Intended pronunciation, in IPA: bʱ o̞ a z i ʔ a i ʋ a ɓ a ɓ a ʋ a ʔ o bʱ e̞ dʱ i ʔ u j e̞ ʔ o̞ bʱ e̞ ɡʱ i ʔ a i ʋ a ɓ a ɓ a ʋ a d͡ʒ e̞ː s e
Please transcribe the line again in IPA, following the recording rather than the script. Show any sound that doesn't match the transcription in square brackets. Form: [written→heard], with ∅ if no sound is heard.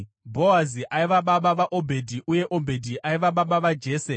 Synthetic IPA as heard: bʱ o̞ a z i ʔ a i ʋ a ɓ a ɓ a ʋ a ʔ o bʱ e̞ dʱ i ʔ u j e̞ ʔ o̞ bʱ e̞ [ɡʱ→dʱ] i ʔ a i ʋ a ɓ a ɓ a ʋ a d͡ʒ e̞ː s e

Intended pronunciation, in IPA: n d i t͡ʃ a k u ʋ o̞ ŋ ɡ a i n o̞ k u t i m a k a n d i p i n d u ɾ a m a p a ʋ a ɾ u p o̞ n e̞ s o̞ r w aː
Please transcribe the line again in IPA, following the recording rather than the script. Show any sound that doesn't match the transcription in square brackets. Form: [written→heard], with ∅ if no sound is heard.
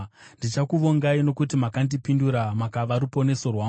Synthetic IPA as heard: n d i t͡ʃ a k u ʋ o̞ ŋ ɡ a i n o̞ k u t i m a k a n d i p i n d u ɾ a m a [p→k] a ʋ a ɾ u p o̞ n e̞ s o̞ r w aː

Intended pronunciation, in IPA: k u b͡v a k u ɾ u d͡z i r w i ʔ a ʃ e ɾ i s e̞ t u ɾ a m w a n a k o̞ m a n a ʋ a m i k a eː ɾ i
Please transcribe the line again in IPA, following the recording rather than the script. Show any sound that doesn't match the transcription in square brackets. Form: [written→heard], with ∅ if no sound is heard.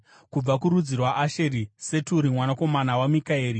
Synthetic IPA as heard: k u b͡v a k u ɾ u d͡z i r w [i→a] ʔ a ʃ e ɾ i s e̞ t u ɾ [a→i] m w a n a k o̞ m a n a [ʋ→w] a m i k a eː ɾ i

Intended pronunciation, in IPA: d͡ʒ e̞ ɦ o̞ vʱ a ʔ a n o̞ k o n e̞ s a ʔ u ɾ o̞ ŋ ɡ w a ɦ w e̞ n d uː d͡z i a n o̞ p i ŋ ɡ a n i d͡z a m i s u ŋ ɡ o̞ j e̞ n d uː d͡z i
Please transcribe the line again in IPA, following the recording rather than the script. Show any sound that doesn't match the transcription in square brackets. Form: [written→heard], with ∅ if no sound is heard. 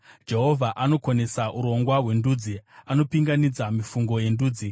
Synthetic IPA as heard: d͡ʒ e̞ ɦ o̞ vʱ a ʔ a n o̞ k o n e̞ s a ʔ u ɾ o̞ ŋ ɡ w a ɦ w e̞ n d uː d͡z i a n o̞ p i ŋ ɡ a n i d͡z a m i [s→f] u ŋ ɡ o̞ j e̞ n d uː d͡z i

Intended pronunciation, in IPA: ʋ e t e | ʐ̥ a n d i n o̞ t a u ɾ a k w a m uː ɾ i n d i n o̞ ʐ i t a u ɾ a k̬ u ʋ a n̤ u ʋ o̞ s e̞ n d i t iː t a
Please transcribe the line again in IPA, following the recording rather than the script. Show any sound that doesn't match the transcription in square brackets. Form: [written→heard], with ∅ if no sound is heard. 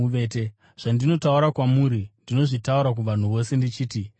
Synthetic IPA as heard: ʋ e t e | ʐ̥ a n d i n o̞ t a u ɾ a k w a m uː ɾ i n d i n o̞ ʐ i t a u ɾ a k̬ u ʋ a n̤ u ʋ o̞ s e̞ n d i [t→t͡ʃ] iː t [a→i]

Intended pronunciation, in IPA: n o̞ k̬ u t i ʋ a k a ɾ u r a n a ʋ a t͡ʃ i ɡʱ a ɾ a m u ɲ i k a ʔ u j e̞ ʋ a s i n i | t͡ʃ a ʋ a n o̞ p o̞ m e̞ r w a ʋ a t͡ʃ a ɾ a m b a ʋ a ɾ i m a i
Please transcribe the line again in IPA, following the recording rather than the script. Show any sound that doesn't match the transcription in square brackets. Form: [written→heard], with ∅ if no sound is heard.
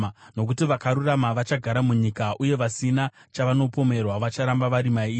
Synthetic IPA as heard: n o̞ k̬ u t i ʋ a k a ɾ u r a [n→m] a ʋ a t͡ʃ [i→a] ɡʱ a ɾ a m u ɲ i k a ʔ u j e̞ ʋ a s i n [i→a] | t͡ʃ a ʋ a n o̞ p o̞ m e̞ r w a ʋ a t͡ʃ a ɾ a m b a ʋ a ɾ i m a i

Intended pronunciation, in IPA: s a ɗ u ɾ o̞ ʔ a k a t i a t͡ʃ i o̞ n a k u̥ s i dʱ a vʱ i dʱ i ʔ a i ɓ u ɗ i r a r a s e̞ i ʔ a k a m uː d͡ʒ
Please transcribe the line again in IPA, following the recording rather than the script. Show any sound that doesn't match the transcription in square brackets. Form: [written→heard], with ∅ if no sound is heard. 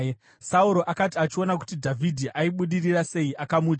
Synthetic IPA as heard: s a [ɗ→∅] u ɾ o̞ ʔ a k a t i a t͡ʃ i o̞ n a k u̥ [s→t] i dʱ a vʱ i dʱ i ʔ a i ɓ u ɗ i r [a→i] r a s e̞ i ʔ a k a m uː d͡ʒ

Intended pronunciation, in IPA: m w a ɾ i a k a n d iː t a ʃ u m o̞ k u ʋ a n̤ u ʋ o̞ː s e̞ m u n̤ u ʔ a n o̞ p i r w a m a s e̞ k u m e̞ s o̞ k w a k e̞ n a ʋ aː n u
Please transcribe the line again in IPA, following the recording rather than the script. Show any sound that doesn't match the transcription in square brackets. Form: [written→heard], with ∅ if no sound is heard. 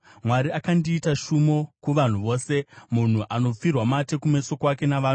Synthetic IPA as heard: m w a ɾ i a k a n d iː t a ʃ u m o̞ k u ʋ a n̤ u ʋ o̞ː s e̞ m u n̤ u ʔ a n o̞ [p→p͡f] i r w a m a [s→t] e̞ k u m e̞ s o̞ k w a k e̞ n a ʋ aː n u

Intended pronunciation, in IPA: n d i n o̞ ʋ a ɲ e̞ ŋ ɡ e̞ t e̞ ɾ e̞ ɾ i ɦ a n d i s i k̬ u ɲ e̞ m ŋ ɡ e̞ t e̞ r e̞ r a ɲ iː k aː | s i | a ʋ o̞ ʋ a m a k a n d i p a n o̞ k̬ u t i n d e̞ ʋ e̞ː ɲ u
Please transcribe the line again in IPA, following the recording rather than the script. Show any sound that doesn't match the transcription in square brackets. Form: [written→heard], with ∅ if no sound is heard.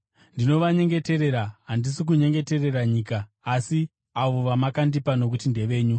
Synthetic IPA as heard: n d i n o̞ ʋ a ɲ e̞ ŋ ɡ e̞ t e̞ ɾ e̞ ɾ [i→a] ɦ a n d i s i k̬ u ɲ e̞ [m→∅] ŋ ɡ e̞ t e̞ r e̞ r a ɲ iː k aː | s i | a ʋ o̞ ʋ a m a k a n d i p a n o̞ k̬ u t i n d e̞ ʋ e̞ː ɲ u

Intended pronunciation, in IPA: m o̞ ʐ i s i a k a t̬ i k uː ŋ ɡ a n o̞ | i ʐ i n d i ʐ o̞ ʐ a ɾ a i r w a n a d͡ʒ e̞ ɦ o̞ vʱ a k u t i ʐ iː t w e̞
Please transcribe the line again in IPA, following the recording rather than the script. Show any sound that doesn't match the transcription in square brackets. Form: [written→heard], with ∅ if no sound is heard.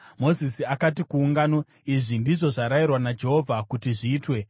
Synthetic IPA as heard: m o̞ [ʐ→z] i s i a k a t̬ i k uː ŋ ɡ a n o̞ | i ʐ i n d i ʐ o̞ ʐ a ɾ a i r w a n a d͡ʒ e̞ ɦ o̞ vʱ a k u t i ʐ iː t w e̞

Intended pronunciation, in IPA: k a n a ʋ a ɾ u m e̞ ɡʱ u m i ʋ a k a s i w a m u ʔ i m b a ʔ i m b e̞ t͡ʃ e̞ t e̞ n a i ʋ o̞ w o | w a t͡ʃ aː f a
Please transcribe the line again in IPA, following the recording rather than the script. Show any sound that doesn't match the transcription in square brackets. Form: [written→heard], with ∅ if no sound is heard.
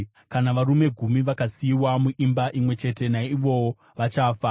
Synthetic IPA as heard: k a n a ʋ a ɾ u m e̞ ɡʱ u m i ʋ a k a s i w a m u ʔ i m b a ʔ i m [b→w] e̞ t͡ʃ e̞ t e̞ n a i ʋ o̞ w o | [w→ʋ] a t͡ʃ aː f a

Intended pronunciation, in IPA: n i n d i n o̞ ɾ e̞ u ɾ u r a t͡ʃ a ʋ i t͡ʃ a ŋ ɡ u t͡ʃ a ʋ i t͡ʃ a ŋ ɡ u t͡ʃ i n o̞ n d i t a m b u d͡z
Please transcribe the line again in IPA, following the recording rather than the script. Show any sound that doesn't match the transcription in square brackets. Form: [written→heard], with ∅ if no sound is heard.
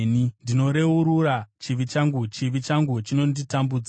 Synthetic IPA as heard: n i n d i n o̞ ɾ e̞ u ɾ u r a t͡ʃ [a→i] ʋ i t͡ʃ a ŋ ɡ u t͡ʃ [a→i] ʋ i t͡ʃ a ŋ ɡ u t͡ʃ i n o̞ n d i t a m b u d͡z

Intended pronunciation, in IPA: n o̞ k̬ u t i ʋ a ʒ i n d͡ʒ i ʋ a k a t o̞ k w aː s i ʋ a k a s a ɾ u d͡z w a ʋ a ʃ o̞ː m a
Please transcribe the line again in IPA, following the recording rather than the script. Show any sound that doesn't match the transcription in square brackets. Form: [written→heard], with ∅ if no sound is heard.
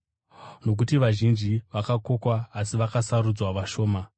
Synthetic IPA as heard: n o̞ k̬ u t i ʋ a ʒ i n d͡ʒ i ʋ a k a [t→k] o̞ k w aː s i ʋ a k a s a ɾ u d͡z w a ʋ a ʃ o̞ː m a

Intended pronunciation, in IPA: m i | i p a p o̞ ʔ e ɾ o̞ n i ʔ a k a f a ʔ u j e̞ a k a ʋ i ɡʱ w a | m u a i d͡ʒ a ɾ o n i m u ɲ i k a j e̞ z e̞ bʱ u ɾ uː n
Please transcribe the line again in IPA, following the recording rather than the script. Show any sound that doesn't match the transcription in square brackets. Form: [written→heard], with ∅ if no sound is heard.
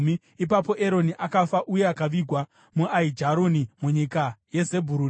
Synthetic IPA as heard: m i | i p a p o̞ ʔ e ɾ o̞ n i ʔ a k a f a ʔ u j e̞ a k a ʋ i ɡʱ w a | m u a i d͡ʒ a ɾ o n i m u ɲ i k a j e̞ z e̞ bʱ u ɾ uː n

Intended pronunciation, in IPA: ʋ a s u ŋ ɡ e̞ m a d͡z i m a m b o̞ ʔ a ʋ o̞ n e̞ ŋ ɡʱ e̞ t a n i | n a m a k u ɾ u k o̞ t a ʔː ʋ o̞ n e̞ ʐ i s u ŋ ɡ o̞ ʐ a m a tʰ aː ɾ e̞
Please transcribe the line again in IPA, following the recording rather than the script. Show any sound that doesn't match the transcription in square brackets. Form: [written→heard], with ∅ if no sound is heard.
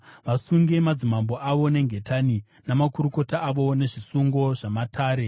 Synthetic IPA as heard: ʋ a s u ŋ ɡ e̞ m a d͡z i m a m b o̞ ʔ a ʋ o̞ n e̞ ŋ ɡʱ e̞ t a n i | n a m a k u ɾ u k o̞ t a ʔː ʋ o̞ n e̞ ʐ i s u ŋ ɡ o̞ ʐ a m a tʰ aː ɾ e̞

